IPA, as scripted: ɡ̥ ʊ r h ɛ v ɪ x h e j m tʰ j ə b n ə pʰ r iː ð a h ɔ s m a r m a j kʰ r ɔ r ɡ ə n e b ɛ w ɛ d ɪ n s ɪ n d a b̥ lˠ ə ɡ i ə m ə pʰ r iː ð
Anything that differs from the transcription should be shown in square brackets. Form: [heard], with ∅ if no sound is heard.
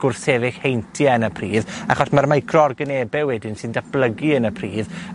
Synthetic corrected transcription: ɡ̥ ʊ r [θ] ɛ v ɪ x h e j [n] tʰ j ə [∅] n ə pʰ r iː ð a [χ] ɔ s m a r m a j kʰ r ɔ r ɡ ə n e b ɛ w ɛ d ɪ n s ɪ n d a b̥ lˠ ə ɡ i ə [n] ə pʰ r iː ð